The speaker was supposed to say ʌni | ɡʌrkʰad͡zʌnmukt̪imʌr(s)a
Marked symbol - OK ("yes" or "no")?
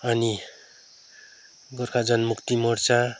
no